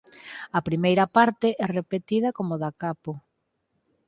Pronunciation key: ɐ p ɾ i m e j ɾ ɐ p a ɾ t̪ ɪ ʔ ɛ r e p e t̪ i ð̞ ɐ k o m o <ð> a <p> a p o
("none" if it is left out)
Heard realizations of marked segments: ð, k

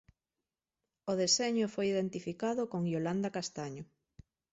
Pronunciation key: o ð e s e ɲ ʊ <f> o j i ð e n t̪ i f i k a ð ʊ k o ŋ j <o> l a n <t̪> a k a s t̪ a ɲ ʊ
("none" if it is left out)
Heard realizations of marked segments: f, o, d̪

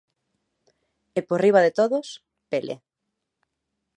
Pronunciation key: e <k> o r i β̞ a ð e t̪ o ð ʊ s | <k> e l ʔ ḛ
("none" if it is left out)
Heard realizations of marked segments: p, p

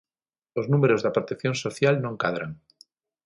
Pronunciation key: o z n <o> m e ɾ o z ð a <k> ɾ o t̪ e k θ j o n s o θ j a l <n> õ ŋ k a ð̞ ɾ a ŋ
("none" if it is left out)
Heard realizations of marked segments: u, p, n

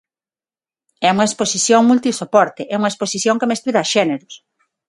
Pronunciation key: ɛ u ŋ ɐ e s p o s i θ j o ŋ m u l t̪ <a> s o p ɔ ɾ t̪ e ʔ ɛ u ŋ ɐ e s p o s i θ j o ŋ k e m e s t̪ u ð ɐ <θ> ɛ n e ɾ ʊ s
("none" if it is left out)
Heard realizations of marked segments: i, ʃ

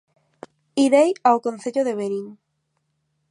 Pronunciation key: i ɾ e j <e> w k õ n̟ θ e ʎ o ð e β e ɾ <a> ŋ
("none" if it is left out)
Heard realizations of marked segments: a, i

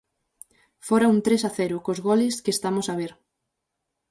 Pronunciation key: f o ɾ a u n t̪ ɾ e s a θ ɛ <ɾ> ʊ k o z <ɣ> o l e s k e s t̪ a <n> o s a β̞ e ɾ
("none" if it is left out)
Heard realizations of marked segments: ɾ, ɣ, m

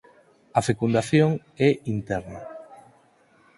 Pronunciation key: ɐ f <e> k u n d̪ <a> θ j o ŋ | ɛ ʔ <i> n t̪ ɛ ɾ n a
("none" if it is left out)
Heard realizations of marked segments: e, a, i

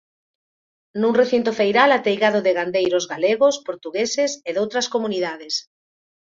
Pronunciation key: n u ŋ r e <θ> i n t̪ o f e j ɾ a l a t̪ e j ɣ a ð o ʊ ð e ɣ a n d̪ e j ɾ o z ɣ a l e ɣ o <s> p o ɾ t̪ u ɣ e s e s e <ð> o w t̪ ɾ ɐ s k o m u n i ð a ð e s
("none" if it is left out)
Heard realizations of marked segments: θ, s, ð

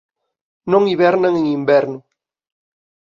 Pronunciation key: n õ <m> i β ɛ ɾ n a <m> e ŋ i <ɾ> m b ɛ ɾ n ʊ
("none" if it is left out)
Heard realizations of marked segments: ŋ, ŋ, none

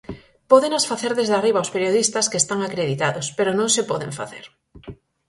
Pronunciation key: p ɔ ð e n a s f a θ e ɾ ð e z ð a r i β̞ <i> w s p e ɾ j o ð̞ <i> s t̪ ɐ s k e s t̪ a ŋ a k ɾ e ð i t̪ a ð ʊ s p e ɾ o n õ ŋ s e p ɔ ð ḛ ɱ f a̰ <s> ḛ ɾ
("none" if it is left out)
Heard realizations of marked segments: a, i, θ

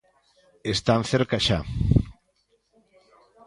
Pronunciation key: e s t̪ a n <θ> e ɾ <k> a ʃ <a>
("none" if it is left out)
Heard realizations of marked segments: θ, k, a

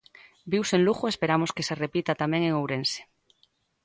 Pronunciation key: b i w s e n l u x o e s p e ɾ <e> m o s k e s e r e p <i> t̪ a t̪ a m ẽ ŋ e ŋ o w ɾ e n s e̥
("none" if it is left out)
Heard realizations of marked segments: a, i

